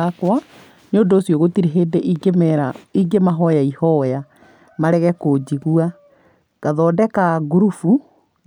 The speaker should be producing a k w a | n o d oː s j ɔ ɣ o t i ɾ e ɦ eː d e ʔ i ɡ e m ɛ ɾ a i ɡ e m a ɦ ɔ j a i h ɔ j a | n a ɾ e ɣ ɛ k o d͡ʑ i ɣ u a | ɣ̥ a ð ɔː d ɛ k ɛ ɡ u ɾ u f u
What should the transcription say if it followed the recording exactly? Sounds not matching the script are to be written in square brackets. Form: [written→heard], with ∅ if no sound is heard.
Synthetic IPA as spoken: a k w a | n o d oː s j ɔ ɣ o t i ɾ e ɦ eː d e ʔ i ɡ e m ɛ ɾ a i ɡ e m a ɦ ɔ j a i h ɔ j a | [n→m] a ɾ [e→ɛ] ɣ ɛ k o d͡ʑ i ɣ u a | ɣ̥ a ð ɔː d ɛ k [ɛ→a] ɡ u ɾ u f u